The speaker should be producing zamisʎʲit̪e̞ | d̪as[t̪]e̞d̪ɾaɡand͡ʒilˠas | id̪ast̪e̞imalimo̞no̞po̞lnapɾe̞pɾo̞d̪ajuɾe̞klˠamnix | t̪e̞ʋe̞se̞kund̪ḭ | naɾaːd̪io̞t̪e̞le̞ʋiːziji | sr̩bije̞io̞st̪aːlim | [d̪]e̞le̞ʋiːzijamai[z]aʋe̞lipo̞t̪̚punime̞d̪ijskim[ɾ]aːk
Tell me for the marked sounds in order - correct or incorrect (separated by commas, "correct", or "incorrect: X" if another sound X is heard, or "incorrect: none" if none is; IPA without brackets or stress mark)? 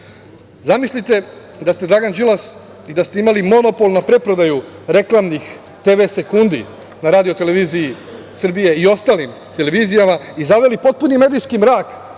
correct, incorrect: t̪, correct, correct